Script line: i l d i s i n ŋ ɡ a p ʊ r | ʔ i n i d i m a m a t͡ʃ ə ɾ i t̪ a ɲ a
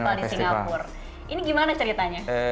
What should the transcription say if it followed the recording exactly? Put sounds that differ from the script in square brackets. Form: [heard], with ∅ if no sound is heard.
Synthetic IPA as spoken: [a] l d i s i [ŋ] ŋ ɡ a p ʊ r | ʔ i n i [ɡ] i m a [n] a t͡ʃ ə ɾ i t̪ a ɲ a